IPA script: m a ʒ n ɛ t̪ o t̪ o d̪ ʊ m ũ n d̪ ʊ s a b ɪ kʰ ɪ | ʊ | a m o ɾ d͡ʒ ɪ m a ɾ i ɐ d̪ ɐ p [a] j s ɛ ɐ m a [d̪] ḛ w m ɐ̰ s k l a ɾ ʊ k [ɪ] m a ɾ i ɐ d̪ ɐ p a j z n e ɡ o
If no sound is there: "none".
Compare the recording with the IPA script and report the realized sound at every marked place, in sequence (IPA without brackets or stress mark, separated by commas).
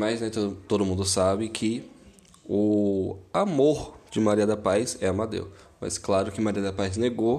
a, d̪, ɪ